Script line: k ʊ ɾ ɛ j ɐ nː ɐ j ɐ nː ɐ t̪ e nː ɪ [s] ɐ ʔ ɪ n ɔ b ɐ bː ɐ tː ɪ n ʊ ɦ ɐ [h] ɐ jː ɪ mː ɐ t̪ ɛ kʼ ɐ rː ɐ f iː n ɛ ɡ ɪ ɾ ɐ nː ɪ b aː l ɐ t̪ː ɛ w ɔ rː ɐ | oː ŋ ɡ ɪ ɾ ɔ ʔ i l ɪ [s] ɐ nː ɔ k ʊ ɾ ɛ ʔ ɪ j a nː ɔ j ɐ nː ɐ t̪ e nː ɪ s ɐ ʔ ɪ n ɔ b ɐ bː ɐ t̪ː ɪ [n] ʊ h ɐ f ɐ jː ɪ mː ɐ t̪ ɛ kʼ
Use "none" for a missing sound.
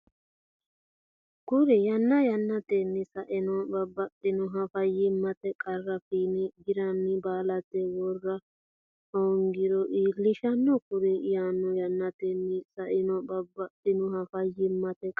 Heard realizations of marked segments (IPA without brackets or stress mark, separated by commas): s, f, ʃ, n